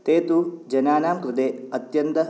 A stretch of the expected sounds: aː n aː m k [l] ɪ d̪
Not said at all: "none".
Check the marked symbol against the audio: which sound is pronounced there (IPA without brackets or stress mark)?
ɾ